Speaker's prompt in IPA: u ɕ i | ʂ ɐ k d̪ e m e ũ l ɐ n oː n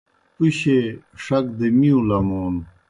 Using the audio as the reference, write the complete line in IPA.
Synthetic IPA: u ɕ e | ʂ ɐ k d̪ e m i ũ l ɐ m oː n